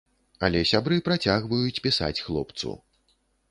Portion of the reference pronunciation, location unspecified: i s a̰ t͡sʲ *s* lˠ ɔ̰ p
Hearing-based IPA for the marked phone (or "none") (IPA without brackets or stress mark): x